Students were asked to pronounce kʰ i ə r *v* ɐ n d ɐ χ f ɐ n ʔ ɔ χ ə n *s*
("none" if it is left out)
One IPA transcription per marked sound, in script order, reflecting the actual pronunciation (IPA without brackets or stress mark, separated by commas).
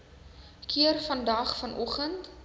f, t